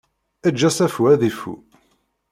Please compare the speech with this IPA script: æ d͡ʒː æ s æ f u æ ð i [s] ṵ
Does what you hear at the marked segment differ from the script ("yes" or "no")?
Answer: yes